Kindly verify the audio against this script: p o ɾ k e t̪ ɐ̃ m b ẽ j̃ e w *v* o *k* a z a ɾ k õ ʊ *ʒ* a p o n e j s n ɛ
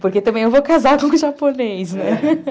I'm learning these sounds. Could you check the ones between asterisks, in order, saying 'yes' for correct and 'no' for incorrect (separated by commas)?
yes, yes, yes